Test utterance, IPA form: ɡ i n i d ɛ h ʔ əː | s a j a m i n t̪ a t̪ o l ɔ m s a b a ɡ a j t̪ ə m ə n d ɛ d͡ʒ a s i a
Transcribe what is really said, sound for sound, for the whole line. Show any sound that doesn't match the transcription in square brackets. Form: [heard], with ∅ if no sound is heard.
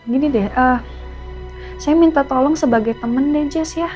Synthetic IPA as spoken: ɡ i n i d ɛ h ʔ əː | s a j a m i n t̪ a t̪ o l ɔ [ŋ] s [ə] b a ɡ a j t̪ ə m ə n d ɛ d͡ʒ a s [j] a